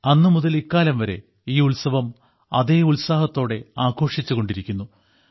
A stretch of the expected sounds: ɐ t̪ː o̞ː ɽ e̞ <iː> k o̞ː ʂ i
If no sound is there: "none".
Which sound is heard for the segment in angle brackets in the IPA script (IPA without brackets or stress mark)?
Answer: aː